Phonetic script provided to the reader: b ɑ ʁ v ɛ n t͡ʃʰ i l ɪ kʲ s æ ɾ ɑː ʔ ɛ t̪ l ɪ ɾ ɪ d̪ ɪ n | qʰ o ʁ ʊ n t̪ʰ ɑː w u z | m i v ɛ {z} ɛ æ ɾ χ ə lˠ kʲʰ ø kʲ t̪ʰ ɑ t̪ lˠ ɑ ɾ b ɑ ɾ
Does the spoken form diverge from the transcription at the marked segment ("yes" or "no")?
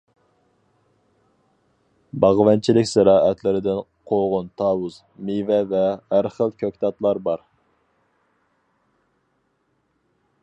yes